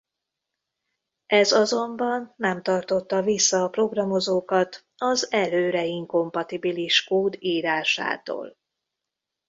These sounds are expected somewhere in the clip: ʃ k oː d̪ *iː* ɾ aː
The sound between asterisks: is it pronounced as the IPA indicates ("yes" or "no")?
yes